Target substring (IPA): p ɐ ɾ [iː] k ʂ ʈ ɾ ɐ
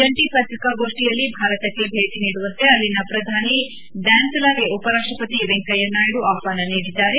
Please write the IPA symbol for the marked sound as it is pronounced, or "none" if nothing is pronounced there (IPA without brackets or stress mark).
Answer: aː